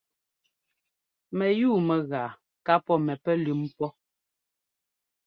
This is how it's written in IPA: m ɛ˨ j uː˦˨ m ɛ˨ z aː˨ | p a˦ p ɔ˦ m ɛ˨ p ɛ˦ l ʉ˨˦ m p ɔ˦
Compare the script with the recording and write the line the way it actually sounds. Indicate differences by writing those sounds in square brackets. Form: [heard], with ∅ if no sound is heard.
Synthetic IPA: m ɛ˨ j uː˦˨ m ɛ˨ [ɣ] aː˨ | [k] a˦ p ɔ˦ m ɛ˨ p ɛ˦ l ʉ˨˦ m p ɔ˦

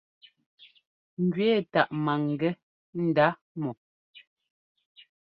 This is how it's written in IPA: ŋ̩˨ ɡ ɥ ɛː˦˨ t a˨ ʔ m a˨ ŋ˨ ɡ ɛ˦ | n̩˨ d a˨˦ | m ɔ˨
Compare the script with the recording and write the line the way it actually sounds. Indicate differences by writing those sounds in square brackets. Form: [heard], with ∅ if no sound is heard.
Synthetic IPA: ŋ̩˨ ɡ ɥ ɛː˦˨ t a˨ ʔ m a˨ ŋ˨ ɡ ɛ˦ | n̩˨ d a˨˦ | m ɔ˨

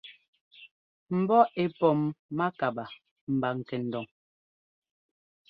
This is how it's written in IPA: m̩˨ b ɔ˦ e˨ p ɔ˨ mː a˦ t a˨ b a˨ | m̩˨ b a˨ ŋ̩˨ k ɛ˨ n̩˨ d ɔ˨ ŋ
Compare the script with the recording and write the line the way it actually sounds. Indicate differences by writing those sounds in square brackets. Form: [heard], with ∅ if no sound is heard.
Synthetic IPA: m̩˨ b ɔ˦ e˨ p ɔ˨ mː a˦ [k] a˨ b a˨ | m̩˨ b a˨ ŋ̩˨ k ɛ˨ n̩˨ d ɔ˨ ŋ

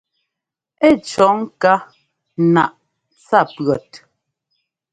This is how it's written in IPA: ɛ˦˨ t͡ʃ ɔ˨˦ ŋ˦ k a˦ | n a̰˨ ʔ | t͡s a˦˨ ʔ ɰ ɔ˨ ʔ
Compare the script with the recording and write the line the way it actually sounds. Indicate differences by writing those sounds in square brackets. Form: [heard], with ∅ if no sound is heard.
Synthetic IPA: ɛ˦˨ t͡ʃ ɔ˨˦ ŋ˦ k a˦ | n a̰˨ ʔ | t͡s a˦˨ [p] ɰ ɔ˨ [t]

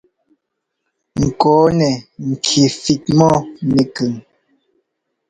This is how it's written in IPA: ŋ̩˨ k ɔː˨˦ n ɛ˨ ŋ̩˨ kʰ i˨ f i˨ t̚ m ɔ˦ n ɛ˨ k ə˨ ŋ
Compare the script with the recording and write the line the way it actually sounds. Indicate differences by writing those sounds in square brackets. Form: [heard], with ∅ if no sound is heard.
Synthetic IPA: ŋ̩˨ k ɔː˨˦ n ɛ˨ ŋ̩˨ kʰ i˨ f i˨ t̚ m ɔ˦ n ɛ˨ k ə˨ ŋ

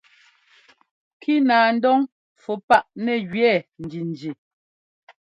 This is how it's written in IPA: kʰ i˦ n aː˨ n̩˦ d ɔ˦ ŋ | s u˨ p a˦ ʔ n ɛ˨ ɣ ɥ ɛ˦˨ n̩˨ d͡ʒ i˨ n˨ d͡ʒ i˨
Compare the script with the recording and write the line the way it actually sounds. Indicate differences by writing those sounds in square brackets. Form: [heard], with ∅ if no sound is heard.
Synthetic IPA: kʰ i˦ n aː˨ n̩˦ d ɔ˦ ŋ | [f] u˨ p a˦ ʔ n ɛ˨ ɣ ɥ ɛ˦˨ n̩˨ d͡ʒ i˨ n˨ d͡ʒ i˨

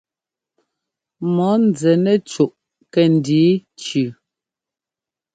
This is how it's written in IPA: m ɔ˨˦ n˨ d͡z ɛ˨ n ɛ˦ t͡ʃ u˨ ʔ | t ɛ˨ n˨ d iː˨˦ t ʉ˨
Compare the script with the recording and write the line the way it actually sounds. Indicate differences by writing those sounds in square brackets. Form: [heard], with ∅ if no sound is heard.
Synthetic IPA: m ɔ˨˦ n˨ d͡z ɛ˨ n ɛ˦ t͡ʃ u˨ ʔ | [k] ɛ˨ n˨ d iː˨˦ [t͡ʃ] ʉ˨

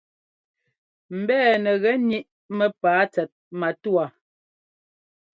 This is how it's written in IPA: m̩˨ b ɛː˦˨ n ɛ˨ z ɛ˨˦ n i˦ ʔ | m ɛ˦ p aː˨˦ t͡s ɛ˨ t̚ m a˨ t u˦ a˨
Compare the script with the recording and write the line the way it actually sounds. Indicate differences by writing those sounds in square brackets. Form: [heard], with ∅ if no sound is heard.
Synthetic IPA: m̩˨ b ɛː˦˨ n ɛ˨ [ɣ] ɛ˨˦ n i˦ ʔ | m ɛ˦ p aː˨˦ t͡s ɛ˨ t̚ m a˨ t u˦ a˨

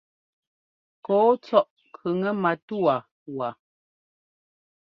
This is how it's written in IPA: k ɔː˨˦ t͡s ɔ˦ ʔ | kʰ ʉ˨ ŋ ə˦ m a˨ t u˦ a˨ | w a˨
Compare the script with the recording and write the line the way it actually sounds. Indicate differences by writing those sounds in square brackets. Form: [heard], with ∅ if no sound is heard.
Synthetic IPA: k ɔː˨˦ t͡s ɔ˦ ʔ | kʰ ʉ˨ ŋ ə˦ m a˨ t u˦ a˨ | w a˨

